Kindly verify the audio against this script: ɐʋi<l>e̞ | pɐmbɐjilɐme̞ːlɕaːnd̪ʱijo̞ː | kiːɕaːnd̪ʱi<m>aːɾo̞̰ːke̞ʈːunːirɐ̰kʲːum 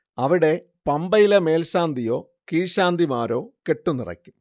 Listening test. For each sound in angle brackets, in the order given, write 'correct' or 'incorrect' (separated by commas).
incorrect, correct